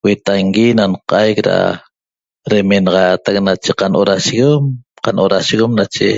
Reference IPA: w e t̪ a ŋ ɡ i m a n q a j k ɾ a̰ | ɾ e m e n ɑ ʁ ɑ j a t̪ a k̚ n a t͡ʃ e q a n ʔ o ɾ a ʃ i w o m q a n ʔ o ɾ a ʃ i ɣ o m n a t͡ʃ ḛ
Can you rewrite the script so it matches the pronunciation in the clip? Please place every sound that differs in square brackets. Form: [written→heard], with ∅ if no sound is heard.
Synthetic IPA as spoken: w e t̪ a ŋ ɡ i [m→n] a n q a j k ɾ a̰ | ɾ e m e n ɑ ʁ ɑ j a t̪ a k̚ n a t͡ʃ e q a n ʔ o ɾ a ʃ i [w→ɣ] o m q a n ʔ o ɾ a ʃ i ɣ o m n a t͡ʃ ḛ